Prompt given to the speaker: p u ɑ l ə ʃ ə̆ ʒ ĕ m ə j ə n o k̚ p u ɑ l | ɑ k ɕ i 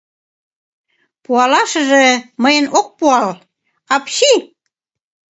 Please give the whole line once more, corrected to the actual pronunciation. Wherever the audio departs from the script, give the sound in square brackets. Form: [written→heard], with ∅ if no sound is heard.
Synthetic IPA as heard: p u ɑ l [ə→ɑ] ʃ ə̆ ʒ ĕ m ə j ə n o k̚ p u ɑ l | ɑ [k→p] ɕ i